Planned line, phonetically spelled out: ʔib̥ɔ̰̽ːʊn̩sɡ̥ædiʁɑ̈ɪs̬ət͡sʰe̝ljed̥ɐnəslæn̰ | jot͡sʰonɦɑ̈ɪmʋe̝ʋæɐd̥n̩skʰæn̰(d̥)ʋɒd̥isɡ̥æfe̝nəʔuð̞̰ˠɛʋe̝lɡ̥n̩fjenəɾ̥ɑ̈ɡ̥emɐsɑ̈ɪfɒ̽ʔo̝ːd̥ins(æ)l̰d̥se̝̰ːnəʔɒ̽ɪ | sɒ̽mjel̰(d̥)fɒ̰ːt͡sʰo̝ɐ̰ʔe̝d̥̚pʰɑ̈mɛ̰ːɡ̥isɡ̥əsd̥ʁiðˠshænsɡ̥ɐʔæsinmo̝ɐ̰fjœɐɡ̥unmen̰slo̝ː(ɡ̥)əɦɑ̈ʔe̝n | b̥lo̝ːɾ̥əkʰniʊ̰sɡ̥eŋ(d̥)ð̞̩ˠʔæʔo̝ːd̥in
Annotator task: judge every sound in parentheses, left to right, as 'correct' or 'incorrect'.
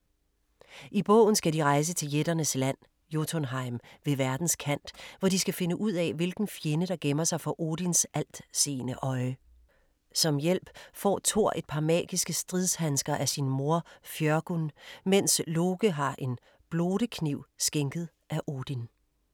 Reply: correct, correct, incorrect: b̥, correct, incorrect: ɡ̥

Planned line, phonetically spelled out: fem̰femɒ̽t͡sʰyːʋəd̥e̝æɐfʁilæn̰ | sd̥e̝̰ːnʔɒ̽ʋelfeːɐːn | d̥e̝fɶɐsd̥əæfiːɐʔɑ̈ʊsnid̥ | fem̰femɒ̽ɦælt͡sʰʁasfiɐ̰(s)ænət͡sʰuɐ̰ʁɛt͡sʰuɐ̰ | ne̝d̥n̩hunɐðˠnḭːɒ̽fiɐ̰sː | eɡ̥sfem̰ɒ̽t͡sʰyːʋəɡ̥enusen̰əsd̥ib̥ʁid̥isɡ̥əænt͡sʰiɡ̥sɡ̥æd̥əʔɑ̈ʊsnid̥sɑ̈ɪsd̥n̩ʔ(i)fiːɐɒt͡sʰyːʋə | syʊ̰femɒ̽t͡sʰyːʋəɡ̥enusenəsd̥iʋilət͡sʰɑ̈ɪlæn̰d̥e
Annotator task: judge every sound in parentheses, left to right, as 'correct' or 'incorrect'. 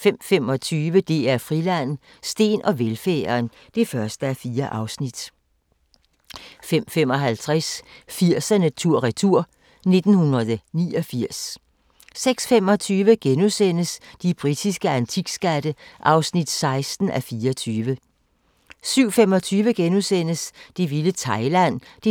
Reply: correct, incorrect: æ

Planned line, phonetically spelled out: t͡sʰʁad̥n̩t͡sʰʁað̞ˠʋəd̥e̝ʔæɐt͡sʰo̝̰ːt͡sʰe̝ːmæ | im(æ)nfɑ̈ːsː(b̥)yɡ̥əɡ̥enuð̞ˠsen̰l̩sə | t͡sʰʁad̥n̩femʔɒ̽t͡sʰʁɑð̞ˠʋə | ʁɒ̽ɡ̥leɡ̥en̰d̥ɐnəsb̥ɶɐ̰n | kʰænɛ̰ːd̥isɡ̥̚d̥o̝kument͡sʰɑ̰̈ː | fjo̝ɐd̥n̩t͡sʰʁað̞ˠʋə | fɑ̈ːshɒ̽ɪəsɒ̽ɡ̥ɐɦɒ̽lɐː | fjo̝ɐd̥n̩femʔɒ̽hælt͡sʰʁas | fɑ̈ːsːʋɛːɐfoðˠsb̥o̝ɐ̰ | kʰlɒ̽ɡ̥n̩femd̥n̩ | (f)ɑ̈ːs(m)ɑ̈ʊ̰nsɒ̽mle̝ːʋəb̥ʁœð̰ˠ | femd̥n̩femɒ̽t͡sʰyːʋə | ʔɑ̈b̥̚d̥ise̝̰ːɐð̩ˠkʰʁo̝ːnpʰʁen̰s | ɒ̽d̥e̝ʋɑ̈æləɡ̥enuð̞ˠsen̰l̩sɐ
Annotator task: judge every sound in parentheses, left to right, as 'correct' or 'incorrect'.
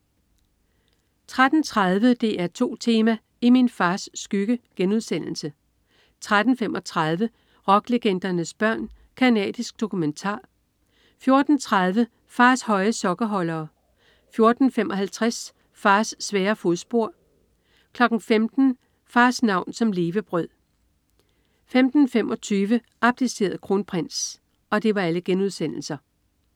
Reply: incorrect: i, incorrect: ɡ̥, correct, incorrect: n

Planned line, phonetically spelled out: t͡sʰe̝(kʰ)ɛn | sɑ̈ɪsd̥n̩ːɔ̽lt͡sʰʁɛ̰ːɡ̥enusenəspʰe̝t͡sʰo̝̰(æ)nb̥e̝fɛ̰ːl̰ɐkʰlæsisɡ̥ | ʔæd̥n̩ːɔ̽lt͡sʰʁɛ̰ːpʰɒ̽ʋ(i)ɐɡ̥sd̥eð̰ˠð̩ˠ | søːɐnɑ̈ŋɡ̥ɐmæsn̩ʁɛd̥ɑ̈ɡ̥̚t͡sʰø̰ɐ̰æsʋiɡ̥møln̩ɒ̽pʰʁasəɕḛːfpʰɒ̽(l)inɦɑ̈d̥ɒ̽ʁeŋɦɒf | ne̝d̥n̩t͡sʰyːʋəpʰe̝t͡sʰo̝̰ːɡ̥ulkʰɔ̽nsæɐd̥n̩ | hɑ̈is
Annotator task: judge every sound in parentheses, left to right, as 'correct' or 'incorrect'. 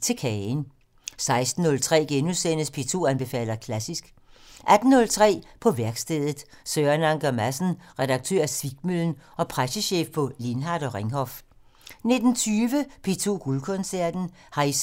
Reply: correct, correct, incorrect: æ, correct

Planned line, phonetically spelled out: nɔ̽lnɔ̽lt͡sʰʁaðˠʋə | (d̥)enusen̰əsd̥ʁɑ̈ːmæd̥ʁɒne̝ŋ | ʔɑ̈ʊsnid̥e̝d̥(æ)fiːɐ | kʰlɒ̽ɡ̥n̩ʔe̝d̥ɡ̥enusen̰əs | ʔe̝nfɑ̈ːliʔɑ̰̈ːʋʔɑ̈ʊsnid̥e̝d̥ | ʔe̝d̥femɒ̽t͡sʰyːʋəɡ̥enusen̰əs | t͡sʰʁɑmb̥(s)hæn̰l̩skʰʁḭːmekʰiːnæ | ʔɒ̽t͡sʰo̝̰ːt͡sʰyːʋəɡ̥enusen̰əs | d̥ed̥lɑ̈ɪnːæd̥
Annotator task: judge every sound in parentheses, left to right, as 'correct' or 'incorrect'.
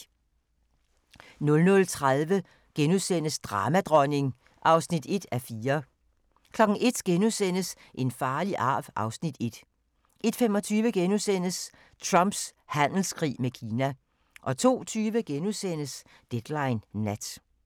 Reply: incorrect: ɡ̥, correct, correct

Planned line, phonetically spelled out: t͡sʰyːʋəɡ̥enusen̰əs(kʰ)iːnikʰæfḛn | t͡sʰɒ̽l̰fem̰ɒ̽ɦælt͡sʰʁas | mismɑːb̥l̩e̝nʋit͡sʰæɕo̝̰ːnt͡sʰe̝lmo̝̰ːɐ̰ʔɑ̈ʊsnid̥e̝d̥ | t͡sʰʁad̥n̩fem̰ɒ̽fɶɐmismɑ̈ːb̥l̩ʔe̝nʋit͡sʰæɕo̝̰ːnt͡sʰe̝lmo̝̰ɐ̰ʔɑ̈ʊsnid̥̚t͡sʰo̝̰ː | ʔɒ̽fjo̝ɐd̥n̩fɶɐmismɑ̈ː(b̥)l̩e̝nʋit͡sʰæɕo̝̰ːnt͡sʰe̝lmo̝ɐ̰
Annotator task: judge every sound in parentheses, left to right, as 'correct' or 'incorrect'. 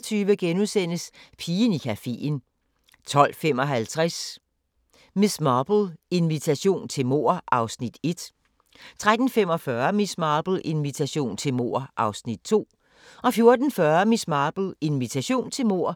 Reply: incorrect: pʰ, correct

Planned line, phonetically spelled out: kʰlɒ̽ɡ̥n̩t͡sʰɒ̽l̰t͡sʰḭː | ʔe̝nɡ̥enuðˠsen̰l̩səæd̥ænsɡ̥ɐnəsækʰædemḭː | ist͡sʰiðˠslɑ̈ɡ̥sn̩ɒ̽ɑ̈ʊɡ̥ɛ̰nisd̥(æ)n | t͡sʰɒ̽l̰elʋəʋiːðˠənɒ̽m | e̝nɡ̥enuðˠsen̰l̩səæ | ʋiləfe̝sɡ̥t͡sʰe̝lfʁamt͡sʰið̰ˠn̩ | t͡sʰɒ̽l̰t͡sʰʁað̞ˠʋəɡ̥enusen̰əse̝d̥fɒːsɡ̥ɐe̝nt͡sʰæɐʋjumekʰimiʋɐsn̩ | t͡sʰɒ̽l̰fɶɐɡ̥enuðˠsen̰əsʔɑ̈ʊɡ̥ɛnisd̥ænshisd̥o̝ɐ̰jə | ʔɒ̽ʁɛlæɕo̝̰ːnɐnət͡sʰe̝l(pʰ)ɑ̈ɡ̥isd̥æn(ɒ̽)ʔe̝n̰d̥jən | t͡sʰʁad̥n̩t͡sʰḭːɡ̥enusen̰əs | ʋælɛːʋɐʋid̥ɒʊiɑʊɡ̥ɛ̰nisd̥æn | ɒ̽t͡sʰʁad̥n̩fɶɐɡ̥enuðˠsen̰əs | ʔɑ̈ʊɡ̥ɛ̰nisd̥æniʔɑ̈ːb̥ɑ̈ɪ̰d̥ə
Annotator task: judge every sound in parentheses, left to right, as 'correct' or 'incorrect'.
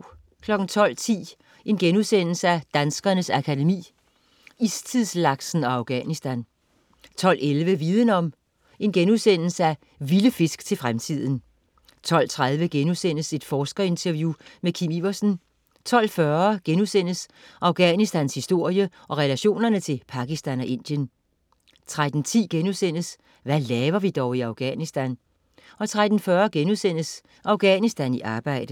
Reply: correct, correct, correct

